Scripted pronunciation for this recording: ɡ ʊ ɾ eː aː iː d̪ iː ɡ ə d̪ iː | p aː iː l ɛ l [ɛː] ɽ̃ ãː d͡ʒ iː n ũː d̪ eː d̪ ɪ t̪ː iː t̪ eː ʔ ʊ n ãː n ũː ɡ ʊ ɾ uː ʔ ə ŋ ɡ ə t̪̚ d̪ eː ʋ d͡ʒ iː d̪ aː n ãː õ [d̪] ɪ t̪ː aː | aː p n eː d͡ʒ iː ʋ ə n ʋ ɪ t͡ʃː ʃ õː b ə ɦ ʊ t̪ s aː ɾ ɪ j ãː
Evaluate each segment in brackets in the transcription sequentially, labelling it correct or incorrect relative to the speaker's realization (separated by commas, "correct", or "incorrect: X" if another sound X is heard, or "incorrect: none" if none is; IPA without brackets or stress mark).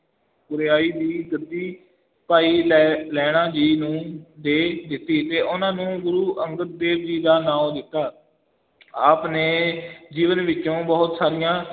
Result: correct, correct